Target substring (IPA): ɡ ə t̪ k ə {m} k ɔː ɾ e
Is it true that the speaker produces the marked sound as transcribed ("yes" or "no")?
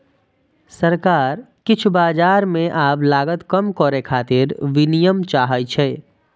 yes